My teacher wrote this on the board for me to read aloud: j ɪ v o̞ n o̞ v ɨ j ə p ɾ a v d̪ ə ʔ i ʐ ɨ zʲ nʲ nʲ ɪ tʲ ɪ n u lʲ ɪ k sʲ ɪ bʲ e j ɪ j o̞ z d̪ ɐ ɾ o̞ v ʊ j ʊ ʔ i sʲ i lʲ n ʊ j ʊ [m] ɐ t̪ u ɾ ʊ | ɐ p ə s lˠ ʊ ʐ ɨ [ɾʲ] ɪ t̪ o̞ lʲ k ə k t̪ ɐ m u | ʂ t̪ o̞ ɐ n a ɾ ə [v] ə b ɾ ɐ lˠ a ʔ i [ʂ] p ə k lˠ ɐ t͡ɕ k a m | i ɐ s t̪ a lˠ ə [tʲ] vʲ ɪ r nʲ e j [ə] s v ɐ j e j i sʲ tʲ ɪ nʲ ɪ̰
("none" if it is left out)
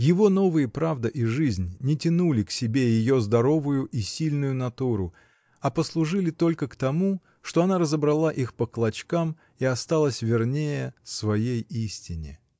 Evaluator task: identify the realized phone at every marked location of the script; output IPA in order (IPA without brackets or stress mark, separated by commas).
n, lʲ, z, x, sʲ, ə